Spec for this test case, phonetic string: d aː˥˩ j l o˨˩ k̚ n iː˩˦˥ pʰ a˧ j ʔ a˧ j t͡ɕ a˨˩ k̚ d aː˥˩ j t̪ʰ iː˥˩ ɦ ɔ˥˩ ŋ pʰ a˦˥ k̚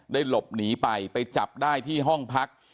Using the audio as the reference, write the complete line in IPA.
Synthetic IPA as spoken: d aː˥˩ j l o˨˩ p̚ n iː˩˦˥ p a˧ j p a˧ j t͡ɕ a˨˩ p̚ d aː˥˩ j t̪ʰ iː˥˩ ɦ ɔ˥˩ ŋ pʰ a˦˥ k̚